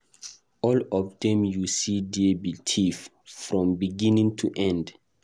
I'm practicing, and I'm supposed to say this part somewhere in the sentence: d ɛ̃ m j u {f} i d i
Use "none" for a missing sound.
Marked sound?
s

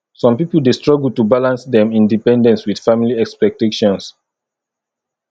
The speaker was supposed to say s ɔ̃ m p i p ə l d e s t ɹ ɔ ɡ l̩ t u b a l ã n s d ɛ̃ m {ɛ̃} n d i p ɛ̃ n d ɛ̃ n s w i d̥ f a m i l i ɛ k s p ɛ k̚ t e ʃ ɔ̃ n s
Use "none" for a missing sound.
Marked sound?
ĩ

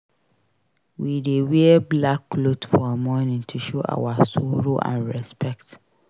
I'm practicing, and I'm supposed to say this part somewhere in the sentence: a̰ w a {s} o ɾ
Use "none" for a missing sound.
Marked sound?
s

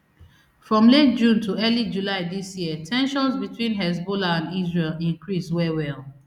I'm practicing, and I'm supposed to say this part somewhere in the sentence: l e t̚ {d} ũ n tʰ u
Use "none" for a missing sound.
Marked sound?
d͡ʒ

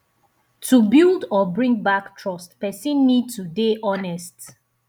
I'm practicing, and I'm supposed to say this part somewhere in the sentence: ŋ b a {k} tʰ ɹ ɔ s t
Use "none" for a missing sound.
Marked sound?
k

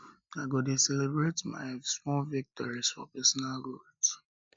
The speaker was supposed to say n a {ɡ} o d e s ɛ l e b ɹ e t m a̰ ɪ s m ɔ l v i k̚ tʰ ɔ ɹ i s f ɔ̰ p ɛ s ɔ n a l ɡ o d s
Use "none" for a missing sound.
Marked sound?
ɡ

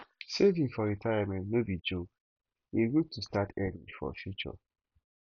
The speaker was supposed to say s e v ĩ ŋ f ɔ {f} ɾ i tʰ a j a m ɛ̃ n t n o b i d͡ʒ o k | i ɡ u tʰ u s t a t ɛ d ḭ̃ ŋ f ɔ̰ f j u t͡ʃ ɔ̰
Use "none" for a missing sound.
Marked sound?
none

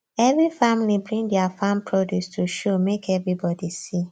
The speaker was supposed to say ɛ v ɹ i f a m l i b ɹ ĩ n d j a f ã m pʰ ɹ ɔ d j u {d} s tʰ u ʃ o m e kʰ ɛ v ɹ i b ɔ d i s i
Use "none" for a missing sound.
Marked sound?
none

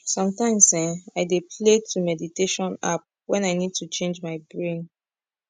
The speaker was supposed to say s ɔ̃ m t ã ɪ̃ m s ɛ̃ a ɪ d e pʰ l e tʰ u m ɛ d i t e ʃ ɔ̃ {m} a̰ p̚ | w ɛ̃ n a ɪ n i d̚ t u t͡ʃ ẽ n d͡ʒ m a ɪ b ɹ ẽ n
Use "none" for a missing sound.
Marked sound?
n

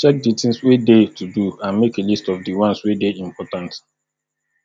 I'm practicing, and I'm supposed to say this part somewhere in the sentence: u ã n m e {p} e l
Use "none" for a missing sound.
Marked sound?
k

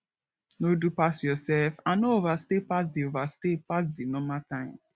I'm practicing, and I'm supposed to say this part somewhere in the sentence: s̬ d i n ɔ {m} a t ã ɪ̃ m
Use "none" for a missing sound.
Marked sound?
m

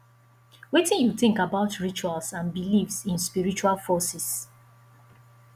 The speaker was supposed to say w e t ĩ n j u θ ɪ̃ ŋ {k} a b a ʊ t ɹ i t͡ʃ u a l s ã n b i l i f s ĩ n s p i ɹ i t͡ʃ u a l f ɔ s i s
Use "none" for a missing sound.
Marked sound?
k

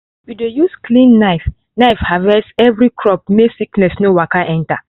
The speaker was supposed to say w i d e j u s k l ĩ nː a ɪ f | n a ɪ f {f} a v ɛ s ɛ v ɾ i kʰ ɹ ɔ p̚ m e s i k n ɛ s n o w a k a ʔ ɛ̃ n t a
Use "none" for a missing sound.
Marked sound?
h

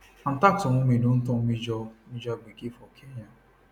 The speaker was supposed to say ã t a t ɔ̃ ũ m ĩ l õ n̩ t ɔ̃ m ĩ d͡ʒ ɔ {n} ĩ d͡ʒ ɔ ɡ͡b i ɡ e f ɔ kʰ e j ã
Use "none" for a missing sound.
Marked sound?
m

